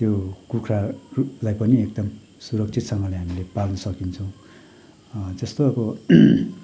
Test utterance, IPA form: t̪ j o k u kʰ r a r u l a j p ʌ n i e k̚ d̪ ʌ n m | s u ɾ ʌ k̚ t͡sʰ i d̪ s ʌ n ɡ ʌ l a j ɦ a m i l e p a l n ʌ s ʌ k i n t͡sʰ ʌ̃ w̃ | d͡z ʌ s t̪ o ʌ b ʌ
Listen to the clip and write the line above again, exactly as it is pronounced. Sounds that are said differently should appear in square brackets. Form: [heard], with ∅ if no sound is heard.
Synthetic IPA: t̪ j o k u kʰ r a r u l a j p ʌ n i e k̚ d̪ ʌ [∅] m | s u ɾ ʌ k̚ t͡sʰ i [t̪] s ʌ [ŋ] ɡ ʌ l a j ɦ a m i l e p a l n ʌ s ʌ k i n t͡sʰ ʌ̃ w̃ | d͡z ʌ s t̪ o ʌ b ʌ